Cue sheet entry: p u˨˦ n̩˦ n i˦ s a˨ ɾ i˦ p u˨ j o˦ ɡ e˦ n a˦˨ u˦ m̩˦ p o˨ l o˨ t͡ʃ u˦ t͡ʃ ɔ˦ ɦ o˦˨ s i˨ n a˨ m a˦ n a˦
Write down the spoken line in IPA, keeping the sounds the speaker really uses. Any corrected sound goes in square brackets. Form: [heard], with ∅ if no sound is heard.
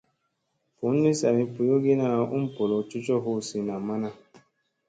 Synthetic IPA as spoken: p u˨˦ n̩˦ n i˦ s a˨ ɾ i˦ p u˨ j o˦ ɡ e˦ n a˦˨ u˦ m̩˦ p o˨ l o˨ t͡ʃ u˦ t͡ʃ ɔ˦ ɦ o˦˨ s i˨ n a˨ m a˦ n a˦